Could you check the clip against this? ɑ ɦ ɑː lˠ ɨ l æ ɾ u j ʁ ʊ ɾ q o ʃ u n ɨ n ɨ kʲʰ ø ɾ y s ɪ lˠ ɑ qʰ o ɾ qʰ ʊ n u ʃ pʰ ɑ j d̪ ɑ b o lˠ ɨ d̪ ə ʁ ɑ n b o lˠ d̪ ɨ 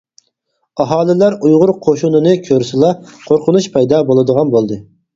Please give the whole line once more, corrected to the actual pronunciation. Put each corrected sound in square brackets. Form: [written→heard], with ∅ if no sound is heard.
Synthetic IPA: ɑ ɦ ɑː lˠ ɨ l æ ɾ u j ʁ ʊ ɾ [q→qʰ] o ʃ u n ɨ n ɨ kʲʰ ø ɾ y s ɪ lˠ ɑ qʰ o ɾ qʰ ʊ n u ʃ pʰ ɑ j d̪ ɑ b o lˠ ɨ d̪ ə ʁ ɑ n b o lˠ d̪ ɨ